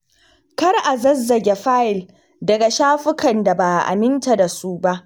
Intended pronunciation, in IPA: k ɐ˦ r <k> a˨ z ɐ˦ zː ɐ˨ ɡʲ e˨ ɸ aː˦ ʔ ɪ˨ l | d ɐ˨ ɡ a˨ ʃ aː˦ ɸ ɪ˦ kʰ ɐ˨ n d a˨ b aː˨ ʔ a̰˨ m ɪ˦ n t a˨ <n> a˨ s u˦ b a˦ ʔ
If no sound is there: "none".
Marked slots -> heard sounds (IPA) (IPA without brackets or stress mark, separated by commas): ʔ, d